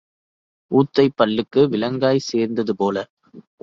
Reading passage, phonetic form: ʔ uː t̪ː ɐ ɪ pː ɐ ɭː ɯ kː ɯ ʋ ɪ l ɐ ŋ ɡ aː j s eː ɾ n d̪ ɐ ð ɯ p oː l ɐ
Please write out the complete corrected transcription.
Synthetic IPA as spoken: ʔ uː t̪ː ɐ ɪ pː ɐ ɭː ɯ kː ɯ ʋ ɪ l ɐ ŋ ɡ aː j s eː ɾ n d̪ ɐ ð ɯ p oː l ɐ